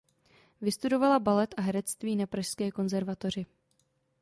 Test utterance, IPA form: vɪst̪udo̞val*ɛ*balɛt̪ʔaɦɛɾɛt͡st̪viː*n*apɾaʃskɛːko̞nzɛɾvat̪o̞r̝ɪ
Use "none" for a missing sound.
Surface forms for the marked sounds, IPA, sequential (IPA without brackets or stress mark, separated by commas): a, n